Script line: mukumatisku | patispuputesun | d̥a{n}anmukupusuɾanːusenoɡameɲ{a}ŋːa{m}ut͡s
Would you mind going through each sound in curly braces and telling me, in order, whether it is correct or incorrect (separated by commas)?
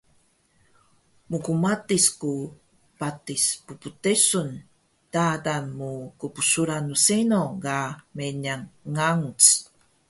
incorrect, correct, incorrect